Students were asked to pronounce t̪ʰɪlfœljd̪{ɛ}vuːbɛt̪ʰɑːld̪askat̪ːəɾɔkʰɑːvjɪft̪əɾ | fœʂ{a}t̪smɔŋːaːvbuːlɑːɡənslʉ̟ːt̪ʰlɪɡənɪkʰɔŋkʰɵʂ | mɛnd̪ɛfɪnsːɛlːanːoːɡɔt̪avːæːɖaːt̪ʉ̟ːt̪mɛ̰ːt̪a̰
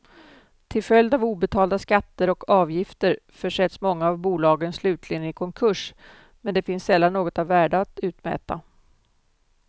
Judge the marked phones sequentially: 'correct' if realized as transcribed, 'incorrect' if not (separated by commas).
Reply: incorrect, incorrect